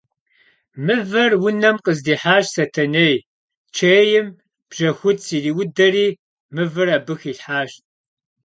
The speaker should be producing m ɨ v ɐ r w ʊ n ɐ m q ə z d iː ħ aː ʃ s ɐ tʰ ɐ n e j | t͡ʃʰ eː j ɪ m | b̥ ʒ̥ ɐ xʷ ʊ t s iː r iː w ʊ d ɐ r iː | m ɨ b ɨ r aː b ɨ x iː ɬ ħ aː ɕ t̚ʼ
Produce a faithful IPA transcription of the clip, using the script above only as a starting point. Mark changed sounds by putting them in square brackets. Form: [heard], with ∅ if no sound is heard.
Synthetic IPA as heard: m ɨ v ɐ r w ʊ n ɐ m q ə z d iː ħ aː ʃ s ɐ tʰ ɐ n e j | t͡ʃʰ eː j ɪ m | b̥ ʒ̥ ɐ xʷ ʊ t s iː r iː w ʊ d ɐ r iː | m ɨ [v] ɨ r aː b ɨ x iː ɬ ħ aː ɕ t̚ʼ